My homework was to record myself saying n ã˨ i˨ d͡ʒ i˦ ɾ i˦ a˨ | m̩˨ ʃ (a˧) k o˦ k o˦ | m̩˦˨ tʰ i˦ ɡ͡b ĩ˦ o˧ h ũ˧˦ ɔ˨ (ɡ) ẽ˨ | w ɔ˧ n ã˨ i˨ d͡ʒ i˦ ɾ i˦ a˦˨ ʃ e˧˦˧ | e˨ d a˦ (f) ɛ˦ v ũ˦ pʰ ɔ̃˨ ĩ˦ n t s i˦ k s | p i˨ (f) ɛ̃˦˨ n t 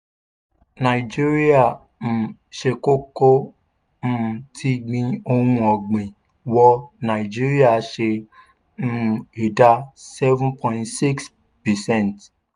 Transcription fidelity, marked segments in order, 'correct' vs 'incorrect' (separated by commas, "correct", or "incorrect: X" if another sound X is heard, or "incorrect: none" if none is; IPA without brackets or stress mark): incorrect: e˧, incorrect: ɡ͡b, incorrect: s, incorrect: s